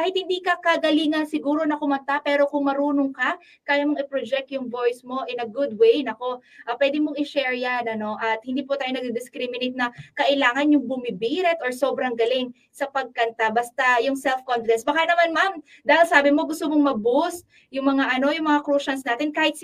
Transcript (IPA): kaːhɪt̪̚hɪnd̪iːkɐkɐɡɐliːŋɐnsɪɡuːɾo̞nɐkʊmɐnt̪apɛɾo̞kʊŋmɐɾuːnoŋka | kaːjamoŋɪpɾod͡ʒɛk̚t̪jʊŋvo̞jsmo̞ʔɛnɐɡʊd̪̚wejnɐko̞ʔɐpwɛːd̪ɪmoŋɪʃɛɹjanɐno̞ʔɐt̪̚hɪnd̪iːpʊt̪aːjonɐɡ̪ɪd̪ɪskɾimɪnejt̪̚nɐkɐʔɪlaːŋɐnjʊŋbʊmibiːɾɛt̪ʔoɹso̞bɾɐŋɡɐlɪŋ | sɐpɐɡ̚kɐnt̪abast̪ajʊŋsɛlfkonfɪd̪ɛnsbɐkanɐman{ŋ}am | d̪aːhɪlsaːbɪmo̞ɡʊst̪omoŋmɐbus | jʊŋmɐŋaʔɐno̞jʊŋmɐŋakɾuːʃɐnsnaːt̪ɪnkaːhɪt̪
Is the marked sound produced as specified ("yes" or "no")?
no